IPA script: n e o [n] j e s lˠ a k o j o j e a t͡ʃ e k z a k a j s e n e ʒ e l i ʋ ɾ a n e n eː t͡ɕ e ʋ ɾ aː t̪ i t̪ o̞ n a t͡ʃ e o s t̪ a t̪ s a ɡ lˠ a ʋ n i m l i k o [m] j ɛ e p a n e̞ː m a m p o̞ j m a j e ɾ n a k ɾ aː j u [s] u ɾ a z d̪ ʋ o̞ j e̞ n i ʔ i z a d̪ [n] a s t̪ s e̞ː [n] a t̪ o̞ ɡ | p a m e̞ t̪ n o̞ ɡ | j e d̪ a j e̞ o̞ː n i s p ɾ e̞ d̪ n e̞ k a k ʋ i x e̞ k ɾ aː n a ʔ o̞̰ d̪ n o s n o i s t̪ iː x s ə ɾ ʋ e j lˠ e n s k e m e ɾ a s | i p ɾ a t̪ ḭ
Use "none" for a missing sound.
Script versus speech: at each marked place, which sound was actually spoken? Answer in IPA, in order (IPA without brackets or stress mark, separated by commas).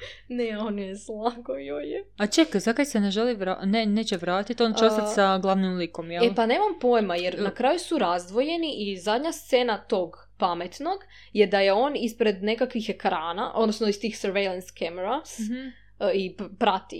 n, m, s, ɲ, n